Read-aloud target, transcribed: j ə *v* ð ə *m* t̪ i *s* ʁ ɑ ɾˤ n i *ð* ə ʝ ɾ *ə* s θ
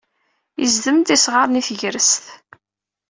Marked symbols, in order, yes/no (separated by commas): no, yes, yes, no, yes